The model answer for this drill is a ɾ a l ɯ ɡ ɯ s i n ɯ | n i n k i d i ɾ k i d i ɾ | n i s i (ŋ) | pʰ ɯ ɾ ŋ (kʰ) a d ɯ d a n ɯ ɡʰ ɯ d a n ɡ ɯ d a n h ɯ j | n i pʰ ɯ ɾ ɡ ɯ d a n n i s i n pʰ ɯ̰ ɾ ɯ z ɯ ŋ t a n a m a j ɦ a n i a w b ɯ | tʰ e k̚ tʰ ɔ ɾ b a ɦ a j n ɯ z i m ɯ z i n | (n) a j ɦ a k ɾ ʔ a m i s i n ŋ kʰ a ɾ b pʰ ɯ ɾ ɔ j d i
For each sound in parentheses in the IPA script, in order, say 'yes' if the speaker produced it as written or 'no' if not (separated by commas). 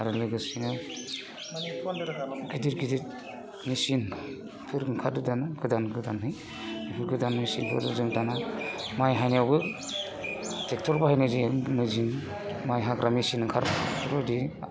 no, yes, no